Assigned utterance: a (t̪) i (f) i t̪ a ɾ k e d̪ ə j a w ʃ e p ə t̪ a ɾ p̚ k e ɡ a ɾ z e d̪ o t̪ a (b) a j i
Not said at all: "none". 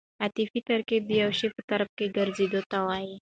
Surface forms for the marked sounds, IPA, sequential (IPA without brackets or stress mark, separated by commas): t̪, f, w